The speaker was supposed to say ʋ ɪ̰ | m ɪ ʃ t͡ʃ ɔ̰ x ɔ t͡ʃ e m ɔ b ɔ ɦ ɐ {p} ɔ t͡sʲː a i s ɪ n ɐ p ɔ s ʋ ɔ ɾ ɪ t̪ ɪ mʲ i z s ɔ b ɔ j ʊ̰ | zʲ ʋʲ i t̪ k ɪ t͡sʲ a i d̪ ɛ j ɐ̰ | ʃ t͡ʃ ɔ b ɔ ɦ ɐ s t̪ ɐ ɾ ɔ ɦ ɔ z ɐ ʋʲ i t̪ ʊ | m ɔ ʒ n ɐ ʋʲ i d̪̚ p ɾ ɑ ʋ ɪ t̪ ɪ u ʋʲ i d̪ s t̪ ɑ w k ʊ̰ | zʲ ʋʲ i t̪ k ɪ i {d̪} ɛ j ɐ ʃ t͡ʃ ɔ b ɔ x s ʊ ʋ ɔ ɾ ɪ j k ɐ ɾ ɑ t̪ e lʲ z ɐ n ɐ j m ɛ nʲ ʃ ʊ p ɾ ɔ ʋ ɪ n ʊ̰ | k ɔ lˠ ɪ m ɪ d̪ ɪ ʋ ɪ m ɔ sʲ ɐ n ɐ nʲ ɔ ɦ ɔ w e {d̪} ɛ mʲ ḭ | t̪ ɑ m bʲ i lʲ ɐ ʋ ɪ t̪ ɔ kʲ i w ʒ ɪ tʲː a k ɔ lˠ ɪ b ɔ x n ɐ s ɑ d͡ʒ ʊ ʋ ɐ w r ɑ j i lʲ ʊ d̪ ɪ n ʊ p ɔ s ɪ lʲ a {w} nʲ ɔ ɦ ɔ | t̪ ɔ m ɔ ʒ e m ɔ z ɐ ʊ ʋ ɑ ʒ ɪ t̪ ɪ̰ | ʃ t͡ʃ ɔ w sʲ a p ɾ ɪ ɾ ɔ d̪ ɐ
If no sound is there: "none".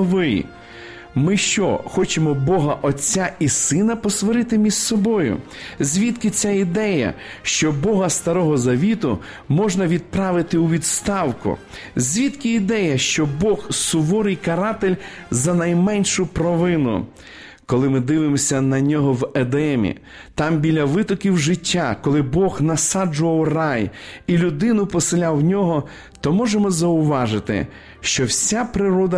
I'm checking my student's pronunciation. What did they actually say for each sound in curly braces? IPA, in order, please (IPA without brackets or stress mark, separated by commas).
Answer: ʔ, d̪, d̪, w